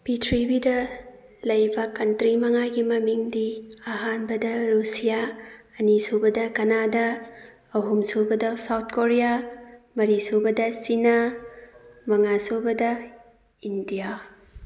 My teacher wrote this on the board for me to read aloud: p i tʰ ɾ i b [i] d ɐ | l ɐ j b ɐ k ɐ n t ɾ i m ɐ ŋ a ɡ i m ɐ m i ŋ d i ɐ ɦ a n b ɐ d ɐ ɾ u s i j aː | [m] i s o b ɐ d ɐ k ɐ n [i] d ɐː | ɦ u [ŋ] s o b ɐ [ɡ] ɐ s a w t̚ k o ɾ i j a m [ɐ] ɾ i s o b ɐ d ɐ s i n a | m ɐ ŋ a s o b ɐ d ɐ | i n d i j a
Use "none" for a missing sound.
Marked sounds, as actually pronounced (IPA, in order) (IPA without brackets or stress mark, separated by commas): i, n, a, m, d, ɐ